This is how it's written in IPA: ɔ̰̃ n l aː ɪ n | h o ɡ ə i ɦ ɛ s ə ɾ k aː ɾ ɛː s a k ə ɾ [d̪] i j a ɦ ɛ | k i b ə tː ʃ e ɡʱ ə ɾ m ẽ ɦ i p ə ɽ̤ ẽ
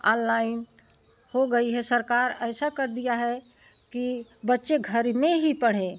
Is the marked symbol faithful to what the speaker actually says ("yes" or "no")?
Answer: yes